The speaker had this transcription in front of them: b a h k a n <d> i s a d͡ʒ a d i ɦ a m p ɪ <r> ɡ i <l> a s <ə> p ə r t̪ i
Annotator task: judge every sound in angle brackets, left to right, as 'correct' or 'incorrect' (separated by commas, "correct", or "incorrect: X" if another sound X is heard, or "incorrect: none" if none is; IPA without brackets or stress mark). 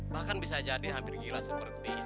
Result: incorrect: b, correct, correct, correct